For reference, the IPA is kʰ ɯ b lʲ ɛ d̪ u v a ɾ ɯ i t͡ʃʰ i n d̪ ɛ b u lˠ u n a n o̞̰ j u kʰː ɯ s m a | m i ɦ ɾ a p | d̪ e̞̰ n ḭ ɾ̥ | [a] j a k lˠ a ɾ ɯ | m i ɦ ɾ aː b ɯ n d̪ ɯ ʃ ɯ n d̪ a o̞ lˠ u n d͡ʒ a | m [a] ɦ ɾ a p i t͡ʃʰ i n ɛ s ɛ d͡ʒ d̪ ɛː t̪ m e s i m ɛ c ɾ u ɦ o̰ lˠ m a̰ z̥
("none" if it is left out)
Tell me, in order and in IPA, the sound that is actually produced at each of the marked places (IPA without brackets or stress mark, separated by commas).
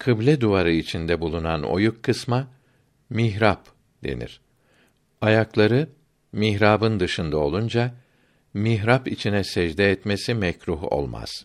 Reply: a, i